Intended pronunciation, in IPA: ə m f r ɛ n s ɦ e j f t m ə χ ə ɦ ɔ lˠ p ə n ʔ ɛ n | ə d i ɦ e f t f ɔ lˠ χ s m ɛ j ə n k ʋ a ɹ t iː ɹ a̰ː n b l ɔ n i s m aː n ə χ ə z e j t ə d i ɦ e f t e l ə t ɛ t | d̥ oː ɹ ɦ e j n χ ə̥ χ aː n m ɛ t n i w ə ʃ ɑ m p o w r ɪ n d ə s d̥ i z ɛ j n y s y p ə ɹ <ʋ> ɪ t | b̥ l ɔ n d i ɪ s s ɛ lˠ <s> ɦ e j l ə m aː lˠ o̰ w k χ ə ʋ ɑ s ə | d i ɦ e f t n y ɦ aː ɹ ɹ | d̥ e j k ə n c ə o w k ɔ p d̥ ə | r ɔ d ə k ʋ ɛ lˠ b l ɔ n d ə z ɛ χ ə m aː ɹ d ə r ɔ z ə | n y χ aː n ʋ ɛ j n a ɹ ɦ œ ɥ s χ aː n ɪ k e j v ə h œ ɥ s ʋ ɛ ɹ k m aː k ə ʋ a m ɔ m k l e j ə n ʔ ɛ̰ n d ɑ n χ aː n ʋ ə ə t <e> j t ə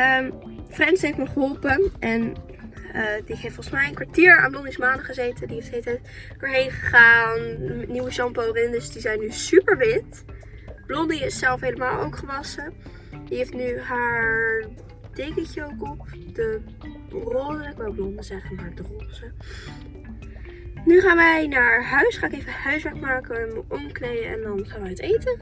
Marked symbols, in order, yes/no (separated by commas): yes, no, yes